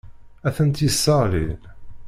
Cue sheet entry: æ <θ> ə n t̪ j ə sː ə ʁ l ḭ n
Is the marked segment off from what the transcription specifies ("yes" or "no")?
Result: no